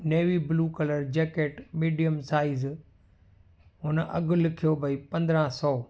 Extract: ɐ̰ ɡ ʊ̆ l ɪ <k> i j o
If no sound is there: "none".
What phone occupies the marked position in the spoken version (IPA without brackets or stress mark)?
kʰ